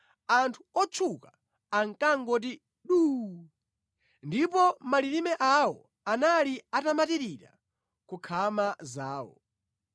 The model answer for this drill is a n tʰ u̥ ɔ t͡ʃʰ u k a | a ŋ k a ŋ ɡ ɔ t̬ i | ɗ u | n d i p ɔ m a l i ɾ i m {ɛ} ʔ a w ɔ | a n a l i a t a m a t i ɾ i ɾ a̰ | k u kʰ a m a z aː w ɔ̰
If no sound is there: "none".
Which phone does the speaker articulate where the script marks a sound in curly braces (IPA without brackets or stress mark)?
ɛ